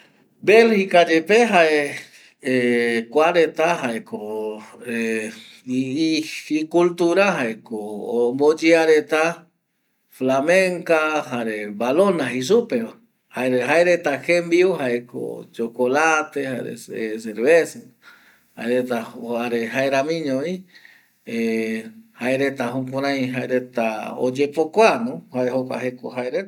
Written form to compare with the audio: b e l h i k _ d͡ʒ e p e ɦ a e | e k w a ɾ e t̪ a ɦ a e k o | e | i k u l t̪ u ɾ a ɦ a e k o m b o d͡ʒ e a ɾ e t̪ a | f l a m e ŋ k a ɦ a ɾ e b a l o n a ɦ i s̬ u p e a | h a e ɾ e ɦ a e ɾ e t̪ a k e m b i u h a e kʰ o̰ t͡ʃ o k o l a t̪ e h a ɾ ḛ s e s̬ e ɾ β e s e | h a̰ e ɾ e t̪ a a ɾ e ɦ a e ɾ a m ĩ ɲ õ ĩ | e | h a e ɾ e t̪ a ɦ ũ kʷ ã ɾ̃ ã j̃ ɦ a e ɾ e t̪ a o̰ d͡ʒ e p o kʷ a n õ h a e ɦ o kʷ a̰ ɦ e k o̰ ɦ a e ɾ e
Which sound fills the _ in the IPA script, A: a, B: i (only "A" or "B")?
A